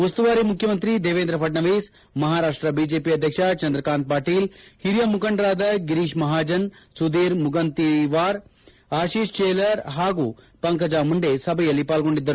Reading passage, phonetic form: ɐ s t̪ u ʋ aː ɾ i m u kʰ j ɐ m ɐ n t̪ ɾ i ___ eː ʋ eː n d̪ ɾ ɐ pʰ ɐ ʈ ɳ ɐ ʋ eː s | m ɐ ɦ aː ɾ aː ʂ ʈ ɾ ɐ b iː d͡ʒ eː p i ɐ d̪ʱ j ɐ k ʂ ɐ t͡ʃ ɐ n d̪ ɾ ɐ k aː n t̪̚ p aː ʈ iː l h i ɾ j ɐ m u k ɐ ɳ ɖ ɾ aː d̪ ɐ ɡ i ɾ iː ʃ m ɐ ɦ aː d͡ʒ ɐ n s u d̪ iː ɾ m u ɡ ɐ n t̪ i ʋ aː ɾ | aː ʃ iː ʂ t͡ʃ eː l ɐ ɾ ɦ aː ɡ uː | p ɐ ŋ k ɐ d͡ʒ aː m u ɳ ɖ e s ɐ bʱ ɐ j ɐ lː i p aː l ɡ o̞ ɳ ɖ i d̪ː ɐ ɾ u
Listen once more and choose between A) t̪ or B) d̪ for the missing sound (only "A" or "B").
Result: B